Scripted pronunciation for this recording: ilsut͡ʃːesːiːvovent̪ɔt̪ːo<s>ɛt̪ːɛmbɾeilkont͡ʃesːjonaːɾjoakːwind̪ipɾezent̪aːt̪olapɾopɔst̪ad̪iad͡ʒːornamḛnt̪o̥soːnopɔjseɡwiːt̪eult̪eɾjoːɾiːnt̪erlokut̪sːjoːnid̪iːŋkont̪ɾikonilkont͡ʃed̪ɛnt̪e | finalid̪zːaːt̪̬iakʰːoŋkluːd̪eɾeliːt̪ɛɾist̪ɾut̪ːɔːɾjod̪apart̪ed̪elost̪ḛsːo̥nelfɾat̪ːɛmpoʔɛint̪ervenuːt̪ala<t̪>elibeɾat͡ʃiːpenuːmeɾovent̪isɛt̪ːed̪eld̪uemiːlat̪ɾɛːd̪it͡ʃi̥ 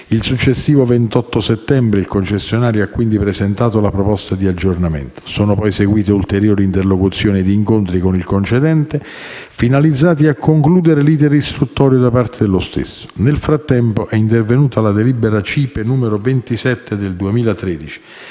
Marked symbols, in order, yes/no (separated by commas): yes, no